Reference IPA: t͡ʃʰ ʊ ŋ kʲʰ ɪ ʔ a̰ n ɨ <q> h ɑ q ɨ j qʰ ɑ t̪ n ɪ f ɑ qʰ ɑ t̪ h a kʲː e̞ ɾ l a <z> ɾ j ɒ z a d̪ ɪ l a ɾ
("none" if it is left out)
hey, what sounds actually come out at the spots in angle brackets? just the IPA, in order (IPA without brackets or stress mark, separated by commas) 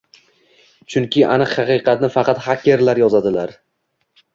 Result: q, none